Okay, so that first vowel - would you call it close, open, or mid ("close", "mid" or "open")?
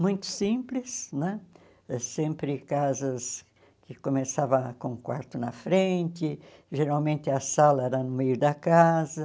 close